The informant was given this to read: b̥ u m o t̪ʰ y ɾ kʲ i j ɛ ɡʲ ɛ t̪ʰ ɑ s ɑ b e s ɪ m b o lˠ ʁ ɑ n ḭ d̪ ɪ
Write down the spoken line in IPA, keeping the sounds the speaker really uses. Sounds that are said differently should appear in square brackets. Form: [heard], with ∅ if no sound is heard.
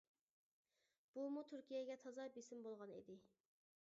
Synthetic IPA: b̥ u m [u] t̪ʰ y ɾ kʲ i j ɛ ɡʲ ɛ t̪ʰ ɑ [z] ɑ b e s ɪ m b o lˠ ʁ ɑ n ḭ d̪ ɪ

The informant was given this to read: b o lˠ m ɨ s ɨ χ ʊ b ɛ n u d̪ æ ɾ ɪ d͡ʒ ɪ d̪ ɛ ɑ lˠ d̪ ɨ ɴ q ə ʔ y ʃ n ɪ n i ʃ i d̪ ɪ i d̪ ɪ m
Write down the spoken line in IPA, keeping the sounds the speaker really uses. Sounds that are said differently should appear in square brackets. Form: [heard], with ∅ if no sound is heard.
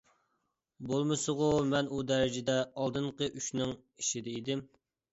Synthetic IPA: b o lˠ m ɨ s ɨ [ʁ] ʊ [m] ɛ n u d̪ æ ɾ ɪ d͡ʒ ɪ d̪ ɛ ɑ lˠ d̪ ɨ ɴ q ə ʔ y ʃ n ɪ [ŋ] i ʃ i d̪ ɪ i d̪ ɪ m

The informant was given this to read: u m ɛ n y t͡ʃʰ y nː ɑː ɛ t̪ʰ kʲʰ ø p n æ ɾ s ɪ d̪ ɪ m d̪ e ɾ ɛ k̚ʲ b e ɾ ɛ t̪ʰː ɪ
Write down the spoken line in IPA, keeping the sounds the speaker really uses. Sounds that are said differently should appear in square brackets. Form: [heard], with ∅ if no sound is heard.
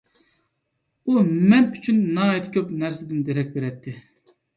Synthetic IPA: u m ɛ n y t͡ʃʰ y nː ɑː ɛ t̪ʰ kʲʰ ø p n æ ɾ s ɪ d̪ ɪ [n] d̪ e ɾ ɛ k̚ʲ b e ɾ ɛ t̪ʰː ɪ

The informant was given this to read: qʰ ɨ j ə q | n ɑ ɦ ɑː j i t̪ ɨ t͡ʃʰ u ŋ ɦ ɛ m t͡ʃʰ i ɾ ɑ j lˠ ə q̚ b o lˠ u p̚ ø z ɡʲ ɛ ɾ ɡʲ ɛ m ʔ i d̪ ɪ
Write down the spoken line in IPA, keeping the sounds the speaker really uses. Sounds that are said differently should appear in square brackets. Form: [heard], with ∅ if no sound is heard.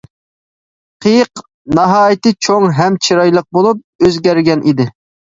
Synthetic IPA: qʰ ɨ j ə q | n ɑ ɦ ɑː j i t̪ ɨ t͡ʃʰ [o] ŋ ɦ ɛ m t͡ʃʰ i ɾ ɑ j lˠ ə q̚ b o lˠ u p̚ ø z ɡʲ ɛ ɾ ɡʲ ɛ [n] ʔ i d̪ ɪ

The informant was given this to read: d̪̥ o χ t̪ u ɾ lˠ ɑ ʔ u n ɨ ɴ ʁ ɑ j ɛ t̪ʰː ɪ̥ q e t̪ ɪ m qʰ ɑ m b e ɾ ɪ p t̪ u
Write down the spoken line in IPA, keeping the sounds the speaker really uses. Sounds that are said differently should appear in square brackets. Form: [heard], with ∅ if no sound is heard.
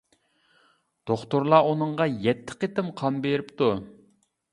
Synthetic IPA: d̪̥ o χ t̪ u ɾ lˠ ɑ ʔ u n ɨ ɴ ʁ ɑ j ɛ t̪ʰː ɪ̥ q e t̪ ɪ m qʰ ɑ m b e ɾ ɪ p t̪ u

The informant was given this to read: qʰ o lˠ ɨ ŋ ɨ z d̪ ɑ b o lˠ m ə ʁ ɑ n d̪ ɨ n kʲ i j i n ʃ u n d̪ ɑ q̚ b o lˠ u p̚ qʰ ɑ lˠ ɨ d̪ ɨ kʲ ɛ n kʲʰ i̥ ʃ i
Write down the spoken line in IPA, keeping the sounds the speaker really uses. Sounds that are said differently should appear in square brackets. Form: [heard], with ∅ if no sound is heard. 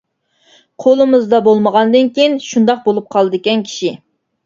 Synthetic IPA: qʰ o lˠ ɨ [m] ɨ z d̪ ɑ b o lˠ m ə ʁ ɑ n d̪ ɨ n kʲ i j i n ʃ u n d̪ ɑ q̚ b o lˠ u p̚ qʰ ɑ lˠ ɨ d̪ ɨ kʲ ɛ n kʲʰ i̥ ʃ i

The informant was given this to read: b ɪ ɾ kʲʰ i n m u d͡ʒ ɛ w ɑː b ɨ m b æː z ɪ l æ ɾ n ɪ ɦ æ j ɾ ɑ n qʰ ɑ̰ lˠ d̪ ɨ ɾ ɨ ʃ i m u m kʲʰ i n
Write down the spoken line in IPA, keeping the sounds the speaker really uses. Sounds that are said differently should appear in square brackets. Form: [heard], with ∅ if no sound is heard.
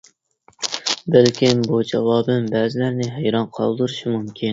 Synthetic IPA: b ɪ [l] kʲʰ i n [b] u d͡ʒ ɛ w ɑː b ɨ m b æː z ɪ l æ ɾ n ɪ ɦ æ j ɾ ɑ n qʰ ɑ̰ lˠ d̪ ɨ ɾ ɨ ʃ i m u m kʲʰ i n

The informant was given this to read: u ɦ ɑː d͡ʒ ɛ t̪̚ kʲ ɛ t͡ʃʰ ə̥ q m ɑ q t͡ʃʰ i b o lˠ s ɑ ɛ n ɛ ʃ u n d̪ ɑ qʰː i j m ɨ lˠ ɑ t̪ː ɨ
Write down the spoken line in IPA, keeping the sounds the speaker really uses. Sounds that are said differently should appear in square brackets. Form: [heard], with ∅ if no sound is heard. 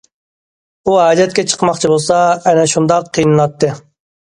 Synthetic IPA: u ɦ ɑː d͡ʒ ɛ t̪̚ kʲ ɛ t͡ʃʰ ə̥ q m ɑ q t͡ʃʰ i b o lˠ s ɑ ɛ n ɛ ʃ u n d̪ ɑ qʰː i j [n] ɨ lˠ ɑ t̪ː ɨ

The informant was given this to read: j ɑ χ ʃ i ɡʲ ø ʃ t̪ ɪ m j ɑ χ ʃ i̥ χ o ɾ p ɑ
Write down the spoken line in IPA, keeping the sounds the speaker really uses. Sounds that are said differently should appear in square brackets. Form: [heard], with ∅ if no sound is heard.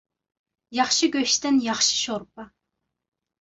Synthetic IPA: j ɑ χ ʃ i ɡʲ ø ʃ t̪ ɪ [n] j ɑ χ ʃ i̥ [ʃ] o ɾ p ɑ

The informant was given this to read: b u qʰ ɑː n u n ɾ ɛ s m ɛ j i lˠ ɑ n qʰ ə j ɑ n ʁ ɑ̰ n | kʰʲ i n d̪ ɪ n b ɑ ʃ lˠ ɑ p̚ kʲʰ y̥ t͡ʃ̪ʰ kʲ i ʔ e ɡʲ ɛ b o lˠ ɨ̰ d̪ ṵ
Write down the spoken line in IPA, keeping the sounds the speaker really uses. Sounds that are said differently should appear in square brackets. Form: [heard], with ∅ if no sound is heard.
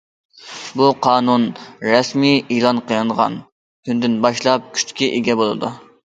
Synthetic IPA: b u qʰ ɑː n u n ɾ ɛ s m [i] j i lˠ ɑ n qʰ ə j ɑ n ʁ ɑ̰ n | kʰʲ [y] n d̪ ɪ n b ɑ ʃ lˠ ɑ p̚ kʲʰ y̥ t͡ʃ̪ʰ kʲ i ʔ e ɡʲ ɛ b o lˠ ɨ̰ d̪ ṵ

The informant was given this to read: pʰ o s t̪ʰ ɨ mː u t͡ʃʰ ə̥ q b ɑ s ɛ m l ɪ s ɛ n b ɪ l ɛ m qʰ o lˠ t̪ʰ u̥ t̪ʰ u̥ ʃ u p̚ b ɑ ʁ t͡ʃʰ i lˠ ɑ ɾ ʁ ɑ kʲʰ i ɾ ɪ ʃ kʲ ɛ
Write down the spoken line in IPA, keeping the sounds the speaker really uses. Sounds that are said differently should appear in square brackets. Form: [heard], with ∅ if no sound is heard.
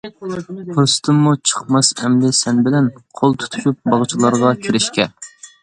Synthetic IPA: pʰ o s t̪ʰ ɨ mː u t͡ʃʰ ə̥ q [m] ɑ s ɛ m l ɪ s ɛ n b ɪ l ɛ [n] qʰ o lˠ t̪ʰ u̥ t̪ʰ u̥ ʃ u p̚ b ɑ ʁ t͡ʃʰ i lˠ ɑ ɾ ʁ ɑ kʲʰ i ɾ ɪ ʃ kʲ ɛ

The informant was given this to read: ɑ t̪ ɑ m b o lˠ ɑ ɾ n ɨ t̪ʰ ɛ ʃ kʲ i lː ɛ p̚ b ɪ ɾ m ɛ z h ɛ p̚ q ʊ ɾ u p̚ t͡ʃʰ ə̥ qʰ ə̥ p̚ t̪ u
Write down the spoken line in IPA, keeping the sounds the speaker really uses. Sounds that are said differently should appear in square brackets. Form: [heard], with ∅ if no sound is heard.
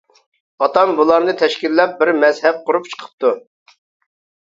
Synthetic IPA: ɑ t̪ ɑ m b [u] lˠ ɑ ɾ n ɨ t̪ʰ ɛ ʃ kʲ i lː ɛ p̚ b ɪ ɾ m ɛ z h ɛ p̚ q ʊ ɾ u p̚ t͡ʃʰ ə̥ qʰ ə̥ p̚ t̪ u

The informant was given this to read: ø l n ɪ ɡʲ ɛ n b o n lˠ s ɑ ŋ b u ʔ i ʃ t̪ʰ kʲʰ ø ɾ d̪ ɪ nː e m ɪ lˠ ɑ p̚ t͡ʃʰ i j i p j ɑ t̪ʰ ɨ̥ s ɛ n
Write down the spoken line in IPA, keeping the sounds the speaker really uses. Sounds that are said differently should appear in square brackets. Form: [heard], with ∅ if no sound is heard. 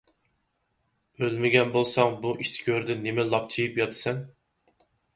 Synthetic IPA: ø l [m] ɪ ɡʲ ɛ n b o [∅] lˠ s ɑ ŋ b u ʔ i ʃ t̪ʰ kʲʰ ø ɾ d̪ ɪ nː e m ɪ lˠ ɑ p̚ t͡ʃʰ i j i p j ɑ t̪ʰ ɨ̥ s ɛ n

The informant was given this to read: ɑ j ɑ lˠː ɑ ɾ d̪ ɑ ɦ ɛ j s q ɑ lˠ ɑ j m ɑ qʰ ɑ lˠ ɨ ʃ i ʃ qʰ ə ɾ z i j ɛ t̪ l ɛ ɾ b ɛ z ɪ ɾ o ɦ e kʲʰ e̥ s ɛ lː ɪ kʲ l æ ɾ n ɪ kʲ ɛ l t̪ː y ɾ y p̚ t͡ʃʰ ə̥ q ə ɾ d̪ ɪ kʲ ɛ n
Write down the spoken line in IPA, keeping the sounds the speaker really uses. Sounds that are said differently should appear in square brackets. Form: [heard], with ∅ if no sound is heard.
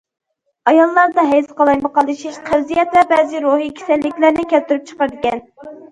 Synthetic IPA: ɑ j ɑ lˠː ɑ ɾ d̪ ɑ ɦ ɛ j s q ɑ lˠ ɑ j m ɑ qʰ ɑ lˠ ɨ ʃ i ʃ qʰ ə ɾ z i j ɛ t̪ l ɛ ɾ b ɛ z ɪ ɾ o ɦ [i] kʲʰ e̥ s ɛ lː ɪ kʲ l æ ɾ n ɪ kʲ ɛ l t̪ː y ɾ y p̚ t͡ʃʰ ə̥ q ə ɾ d̪ ɪ kʲ ɛ n

